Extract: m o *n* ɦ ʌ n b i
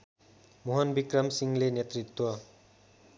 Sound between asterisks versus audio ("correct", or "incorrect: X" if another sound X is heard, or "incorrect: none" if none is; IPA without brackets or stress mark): incorrect: none